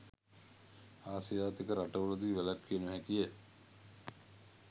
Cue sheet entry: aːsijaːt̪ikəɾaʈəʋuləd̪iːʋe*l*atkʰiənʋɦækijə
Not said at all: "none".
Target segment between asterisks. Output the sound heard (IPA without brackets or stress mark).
l